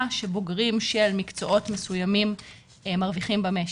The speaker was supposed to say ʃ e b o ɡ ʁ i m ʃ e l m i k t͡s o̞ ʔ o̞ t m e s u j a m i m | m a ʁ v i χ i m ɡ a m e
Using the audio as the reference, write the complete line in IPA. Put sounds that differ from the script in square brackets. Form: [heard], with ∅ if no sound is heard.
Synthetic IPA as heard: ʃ e b o ɡ ʁ i m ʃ e l m i k t͡s o̞ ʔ o̞ t m e s u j a m i m | m a ʁ v i χ i m [b] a m e